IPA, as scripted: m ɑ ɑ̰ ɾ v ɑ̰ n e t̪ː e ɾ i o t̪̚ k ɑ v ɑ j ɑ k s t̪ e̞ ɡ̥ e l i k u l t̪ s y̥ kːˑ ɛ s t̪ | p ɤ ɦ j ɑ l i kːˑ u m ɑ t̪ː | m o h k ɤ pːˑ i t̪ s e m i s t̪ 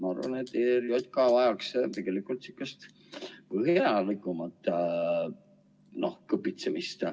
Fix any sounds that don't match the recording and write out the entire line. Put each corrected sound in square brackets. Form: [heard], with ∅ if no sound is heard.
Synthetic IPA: m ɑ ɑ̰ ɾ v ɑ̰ n e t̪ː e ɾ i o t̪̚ k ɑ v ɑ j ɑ k s t̪ e̞ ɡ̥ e l i k u l t̪ s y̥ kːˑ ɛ s t̪ | p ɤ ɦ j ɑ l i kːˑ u m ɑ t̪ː | [n] o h k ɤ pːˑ i t̪ s e m i s t̪